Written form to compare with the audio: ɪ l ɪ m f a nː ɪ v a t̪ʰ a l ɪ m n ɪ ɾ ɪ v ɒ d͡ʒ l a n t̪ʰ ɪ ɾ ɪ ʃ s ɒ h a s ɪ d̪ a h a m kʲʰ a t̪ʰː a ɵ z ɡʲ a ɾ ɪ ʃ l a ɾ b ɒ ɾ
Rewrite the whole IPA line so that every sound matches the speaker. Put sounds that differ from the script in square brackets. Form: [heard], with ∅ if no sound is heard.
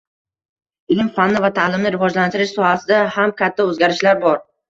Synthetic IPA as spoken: ɪ l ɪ m f a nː ɪ v a t̪ʰ a l ɪ m n ɪ ɾ ɪ v ɒ d͡ʒ l a n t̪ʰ ɪ ɾ ɪ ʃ s ɒ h a s ɪ d̪ a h a m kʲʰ a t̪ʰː a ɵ z ɡʲ a ɾ ɪ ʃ l a ɾ b ɒ ɾ

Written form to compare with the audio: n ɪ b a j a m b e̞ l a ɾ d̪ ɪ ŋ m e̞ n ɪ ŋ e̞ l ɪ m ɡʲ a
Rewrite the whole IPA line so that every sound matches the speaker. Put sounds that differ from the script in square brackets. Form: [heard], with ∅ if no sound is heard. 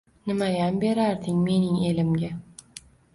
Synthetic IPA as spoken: n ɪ [m] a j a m b e̞ [ɾ] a ɾ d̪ ɪ ŋ m e̞ n ɪ ŋ e̞ l ɪ m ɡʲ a

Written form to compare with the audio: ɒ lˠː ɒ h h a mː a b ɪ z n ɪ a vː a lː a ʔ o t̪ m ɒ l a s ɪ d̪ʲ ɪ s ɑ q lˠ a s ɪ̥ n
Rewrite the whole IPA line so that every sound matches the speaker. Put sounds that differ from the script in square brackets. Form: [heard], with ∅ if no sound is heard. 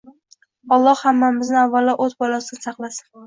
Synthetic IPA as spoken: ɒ lˠː ɒ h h a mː a [m] ɪ z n ɪ a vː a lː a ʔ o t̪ [b] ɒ l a s ɪ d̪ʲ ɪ s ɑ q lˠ a s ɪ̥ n

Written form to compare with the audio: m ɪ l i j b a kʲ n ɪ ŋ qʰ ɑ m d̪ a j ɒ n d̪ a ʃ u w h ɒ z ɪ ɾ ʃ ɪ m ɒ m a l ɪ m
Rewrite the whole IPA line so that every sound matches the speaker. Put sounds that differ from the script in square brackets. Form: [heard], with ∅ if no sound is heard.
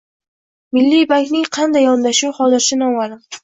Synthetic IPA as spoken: m ɪ [lː] i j b a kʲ n ɪ ŋ qʰ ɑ [n] d̪ a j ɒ n d̪ a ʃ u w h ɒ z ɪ ɾ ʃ ɪ [n] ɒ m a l ɪ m

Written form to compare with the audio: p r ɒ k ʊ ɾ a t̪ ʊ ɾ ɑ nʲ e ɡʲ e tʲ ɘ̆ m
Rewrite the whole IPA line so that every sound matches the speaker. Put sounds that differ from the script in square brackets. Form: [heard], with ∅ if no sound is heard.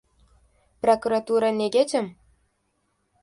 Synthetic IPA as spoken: p r [o] k [u] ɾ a t̪ [u] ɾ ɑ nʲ e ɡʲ e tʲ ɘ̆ m

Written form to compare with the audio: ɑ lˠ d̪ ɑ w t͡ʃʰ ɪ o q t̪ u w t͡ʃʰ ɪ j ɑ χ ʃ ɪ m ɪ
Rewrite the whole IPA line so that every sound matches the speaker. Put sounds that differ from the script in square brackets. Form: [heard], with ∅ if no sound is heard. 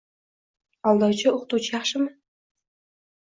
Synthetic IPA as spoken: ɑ lˠ d̪ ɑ w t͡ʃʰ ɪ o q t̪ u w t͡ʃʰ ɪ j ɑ χ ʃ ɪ m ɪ

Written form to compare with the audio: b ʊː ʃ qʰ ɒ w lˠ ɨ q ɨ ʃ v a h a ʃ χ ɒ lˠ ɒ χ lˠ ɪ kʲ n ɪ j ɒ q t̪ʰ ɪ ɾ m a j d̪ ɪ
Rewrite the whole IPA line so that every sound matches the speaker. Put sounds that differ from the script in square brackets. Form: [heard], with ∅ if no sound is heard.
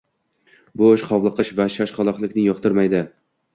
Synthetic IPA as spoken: b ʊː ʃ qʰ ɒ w lˠ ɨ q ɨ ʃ v a [ʃ] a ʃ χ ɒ lˠ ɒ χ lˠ ɪ kʲ n ɪ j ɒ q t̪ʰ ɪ ɾ m a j d̪ ɪ

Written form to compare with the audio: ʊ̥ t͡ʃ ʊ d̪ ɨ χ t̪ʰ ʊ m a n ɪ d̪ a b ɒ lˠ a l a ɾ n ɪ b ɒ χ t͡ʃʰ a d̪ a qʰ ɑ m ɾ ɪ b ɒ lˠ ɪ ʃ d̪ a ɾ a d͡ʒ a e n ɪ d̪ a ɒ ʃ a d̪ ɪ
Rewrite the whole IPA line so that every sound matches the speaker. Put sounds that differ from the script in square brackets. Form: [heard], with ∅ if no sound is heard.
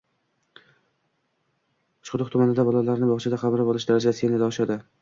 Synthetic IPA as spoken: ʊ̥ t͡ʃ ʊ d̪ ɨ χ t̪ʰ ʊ m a n ɪ d̪ a b ɒ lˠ a l a ɾ n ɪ b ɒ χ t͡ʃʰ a d̪ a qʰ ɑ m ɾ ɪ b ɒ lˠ ɪ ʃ d̪ a ɾ a d͡ʒ a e n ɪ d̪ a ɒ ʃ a d̪ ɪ

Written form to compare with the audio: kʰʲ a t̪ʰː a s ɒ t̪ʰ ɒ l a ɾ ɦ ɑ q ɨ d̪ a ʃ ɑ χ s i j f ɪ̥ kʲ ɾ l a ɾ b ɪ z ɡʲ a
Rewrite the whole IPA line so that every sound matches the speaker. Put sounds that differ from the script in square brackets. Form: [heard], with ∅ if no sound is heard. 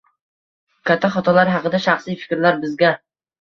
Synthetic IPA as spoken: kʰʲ a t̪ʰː a [χ] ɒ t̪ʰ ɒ l a ɾ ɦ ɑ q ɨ d̪ a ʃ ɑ χ s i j f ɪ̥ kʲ ɾ l a ɾ b ɪ z ɡʲ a

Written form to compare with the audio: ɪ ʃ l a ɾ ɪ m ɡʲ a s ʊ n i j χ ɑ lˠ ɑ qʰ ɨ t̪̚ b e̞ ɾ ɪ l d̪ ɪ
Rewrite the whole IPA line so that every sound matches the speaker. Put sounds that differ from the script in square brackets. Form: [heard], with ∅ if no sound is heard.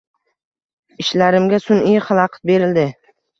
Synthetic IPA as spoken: ɪ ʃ l a ɾ ɪ m ɡʲ a s ʊ n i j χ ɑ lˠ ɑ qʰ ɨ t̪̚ b e̞ ɾ ɪ l d̪ ɪ

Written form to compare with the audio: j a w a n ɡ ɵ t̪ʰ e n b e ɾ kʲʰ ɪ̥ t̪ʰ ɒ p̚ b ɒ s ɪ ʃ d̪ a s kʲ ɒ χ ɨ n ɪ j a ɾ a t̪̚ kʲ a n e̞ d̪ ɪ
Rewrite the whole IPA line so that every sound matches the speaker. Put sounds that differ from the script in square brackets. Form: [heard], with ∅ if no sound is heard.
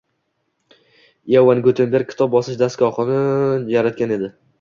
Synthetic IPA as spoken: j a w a n ɡ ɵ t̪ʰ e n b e ɾ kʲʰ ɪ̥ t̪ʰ ɒ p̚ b ɒ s ɪ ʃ d̪ a s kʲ ɒ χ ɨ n ɪ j a ɾ a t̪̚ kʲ a n e̞ d̪ ɪ

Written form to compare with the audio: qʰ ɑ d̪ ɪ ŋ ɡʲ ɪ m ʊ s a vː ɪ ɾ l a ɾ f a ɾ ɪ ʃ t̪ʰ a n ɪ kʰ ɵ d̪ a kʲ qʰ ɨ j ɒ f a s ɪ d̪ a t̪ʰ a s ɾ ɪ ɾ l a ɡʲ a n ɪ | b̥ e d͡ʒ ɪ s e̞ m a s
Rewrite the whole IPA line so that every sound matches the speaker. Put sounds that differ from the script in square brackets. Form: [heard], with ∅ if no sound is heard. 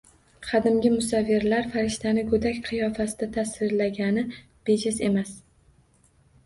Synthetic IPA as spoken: qʰ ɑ d̪ ɪ [m] ɡʲ ɪ m ʊ s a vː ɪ ɾ l a ɾ f a ɾ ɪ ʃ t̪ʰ a n ɪ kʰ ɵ d̪ a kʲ qʰ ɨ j ɒ f a s ɪ d̪ a t̪ʰ a s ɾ ɪ ɾ l a ɡʲ a n ɪ | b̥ e d͡ʒ ɪ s e̞ m a s

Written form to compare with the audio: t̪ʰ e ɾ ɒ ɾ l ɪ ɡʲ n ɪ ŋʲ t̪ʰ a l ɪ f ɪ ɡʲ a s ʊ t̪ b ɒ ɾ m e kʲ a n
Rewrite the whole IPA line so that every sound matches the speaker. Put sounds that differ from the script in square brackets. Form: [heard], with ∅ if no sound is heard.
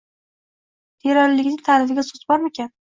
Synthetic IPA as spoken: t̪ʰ e ɾ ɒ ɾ l ɪ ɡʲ n ɪ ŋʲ t̪ʰ a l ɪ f ɪ ɡʲ a s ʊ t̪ b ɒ ɾ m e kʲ a n

